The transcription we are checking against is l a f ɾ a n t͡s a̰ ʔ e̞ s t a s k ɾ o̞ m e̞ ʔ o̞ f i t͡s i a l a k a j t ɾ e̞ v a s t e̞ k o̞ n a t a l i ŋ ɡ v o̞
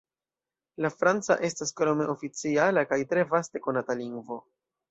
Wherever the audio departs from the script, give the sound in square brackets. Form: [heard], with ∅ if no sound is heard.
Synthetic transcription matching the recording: l a f ɾ a n t͡s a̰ ʔ e̞ s t a s k ɾ o̞ m e̞ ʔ o̞ f i t͡s i a l a k a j t ɾ e̞ v a s t e̞ k o̞ n a t a l i ŋ ɡ v o̞